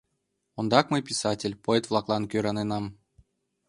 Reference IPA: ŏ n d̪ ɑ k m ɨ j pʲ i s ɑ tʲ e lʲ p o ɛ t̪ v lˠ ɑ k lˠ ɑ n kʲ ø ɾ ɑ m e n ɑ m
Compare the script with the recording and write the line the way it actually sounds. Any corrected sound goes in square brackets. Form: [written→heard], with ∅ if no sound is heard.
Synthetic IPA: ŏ n d̪ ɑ k m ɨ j pʲ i s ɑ tʲ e lʲ p o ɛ t̪ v lˠ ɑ k lˠ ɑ n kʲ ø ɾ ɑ [m→n] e n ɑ m